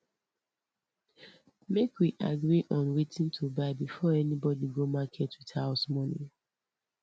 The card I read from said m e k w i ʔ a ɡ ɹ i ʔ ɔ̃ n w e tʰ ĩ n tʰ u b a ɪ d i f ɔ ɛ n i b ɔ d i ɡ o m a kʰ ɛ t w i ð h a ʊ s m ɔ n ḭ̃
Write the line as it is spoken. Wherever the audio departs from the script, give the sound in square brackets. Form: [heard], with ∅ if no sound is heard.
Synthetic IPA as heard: m e k w i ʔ a ɡ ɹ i ʔ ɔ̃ n w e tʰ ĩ n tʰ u b a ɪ [b] i f ɔ ɛ n i b ɔ d i ɡ o m a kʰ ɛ t w i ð h a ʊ s m ɔ n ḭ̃